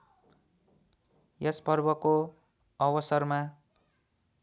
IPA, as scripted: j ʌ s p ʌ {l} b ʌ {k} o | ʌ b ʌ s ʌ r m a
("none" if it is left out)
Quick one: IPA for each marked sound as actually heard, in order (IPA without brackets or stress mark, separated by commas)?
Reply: r, k